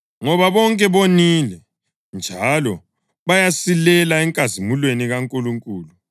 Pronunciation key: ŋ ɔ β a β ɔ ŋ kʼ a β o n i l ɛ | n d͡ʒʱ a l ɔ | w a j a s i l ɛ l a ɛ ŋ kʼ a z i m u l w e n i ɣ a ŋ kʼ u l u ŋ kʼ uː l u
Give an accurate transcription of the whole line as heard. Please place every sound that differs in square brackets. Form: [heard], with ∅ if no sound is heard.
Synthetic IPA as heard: ŋ ɔ β a β ɔ ŋ kʼ [ɛ] β o n i l ɛ | n d͡ʒʱ a l ɔ | [β] a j a s i l ɛ l a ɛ ŋ kʼ a z i m u l w e n i ɣ a ŋ kʼ u l u ŋ kʼ uː l u